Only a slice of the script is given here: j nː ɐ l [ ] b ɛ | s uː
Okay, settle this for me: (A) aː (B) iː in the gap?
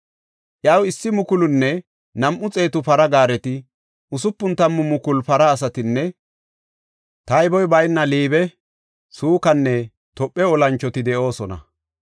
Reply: B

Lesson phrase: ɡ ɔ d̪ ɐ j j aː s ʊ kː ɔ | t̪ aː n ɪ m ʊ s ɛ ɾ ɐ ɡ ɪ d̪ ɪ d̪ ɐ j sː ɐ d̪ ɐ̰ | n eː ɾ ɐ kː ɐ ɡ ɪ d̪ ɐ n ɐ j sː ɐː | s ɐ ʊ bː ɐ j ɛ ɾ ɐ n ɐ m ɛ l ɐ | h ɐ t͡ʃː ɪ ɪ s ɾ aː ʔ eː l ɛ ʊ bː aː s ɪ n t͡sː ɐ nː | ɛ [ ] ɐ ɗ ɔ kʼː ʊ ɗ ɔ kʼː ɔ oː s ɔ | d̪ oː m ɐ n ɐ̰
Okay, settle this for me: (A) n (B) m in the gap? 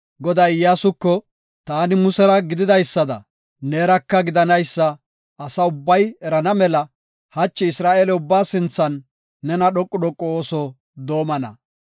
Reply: A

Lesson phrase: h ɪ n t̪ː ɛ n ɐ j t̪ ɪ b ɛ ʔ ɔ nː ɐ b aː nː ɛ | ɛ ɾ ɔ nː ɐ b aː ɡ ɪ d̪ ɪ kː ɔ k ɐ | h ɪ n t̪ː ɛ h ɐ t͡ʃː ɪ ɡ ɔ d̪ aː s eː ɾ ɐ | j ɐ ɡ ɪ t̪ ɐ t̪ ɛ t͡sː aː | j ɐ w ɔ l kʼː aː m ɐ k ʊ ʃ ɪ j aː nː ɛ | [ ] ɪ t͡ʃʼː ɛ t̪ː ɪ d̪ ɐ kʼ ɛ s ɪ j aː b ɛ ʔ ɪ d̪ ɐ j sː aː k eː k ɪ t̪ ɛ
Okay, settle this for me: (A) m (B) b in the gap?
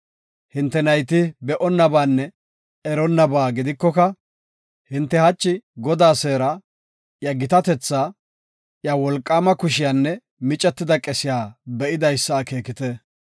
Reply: A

